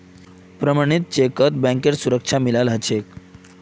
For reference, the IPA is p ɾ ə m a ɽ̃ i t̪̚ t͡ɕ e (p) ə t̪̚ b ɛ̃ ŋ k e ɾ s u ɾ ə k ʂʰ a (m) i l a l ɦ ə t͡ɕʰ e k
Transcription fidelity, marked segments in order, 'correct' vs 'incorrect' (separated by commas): incorrect, correct